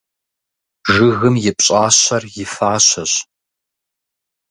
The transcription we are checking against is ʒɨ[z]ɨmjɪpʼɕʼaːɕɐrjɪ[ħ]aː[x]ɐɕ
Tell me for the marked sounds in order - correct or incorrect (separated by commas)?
incorrect, incorrect, incorrect